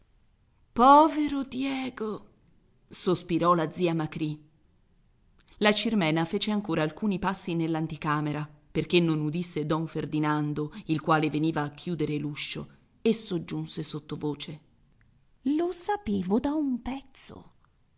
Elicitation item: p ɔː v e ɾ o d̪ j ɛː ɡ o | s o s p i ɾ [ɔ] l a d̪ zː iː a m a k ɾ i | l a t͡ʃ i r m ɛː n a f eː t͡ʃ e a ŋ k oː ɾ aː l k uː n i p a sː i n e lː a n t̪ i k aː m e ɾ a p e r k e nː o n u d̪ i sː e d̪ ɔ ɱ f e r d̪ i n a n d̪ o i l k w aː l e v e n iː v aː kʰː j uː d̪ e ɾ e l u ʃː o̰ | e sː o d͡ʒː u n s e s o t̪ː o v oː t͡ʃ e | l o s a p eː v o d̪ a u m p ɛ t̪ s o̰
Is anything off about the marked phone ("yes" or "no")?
no